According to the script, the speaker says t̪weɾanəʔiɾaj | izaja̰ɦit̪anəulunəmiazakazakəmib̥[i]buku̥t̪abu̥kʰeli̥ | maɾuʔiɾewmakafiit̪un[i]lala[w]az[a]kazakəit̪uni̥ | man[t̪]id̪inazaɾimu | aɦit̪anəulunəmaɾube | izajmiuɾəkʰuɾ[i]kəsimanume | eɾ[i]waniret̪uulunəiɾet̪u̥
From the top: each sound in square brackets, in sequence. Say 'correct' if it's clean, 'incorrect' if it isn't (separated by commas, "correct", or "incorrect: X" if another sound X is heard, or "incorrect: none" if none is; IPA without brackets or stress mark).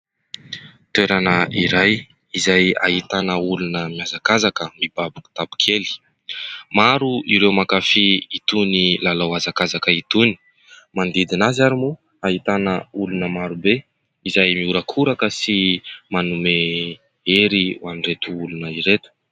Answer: incorrect: a, correct, correct, correct, incorrect: d̪, incorrect: a, correct